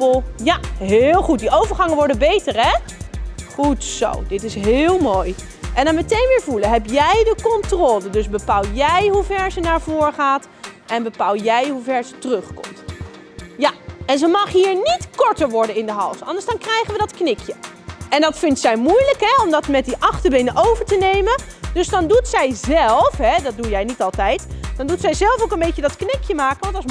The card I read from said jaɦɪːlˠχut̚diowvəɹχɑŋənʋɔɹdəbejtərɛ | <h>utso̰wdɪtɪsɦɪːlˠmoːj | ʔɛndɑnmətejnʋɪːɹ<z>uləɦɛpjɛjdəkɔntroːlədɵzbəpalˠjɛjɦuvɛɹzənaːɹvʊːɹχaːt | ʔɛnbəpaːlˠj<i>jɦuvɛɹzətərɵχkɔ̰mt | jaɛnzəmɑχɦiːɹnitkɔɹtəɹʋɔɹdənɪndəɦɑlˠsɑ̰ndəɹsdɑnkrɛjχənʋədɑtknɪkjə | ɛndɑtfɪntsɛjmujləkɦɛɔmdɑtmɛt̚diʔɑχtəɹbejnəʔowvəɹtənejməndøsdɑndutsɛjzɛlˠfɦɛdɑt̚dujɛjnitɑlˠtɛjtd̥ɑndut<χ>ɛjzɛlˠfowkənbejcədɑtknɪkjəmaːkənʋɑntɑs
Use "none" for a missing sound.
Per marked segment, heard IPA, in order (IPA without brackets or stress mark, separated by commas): χ, v, ɛ, s